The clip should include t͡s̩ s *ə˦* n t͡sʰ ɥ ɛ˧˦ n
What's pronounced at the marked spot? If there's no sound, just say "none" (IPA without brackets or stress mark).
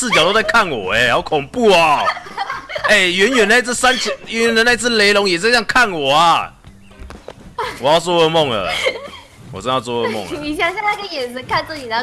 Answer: a˦